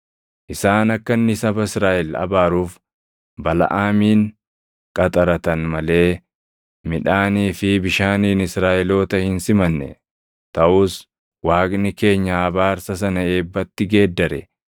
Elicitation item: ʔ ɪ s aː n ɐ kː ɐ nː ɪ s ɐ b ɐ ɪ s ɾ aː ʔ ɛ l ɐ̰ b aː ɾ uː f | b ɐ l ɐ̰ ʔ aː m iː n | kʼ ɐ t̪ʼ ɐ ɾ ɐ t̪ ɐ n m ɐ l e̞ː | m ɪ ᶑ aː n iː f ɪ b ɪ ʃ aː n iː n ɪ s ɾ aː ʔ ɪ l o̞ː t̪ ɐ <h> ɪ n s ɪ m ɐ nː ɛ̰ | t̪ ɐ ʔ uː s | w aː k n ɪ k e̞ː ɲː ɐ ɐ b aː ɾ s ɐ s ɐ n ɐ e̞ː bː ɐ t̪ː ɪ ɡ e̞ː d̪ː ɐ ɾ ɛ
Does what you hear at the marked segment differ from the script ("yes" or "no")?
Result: no